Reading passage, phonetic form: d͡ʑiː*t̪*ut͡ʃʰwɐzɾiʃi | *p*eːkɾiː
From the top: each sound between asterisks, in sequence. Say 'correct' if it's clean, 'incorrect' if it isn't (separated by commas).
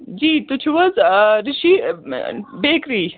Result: correct, incorrect